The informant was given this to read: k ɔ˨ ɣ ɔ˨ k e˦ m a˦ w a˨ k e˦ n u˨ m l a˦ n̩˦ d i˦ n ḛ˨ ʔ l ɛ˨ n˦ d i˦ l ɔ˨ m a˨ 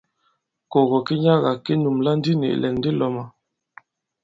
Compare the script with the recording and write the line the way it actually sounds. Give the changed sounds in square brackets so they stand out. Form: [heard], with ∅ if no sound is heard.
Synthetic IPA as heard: k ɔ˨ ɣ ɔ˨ k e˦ [ɲ] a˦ [ɣ] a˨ k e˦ n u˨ m l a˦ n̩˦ d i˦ n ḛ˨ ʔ l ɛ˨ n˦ d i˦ l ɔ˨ m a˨